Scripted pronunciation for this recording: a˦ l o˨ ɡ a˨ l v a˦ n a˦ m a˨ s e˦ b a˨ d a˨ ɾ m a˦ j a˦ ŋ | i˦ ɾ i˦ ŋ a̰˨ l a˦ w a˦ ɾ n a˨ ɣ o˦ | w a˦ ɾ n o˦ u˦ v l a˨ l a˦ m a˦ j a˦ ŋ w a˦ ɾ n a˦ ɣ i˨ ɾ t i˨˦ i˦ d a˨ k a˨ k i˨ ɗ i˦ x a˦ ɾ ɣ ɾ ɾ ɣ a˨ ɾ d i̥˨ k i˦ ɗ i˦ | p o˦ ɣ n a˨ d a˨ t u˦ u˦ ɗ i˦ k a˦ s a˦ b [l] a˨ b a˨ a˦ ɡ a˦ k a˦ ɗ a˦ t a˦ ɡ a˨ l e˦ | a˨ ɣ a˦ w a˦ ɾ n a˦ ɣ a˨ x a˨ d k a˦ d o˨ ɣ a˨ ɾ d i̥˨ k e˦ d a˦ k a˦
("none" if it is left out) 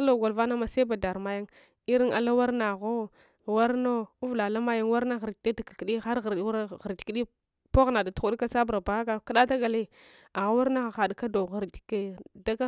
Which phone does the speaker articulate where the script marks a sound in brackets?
ɾ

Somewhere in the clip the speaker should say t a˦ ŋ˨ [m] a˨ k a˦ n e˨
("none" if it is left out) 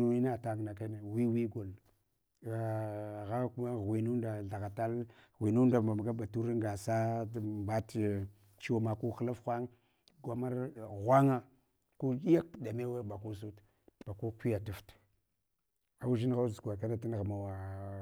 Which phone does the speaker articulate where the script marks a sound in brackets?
n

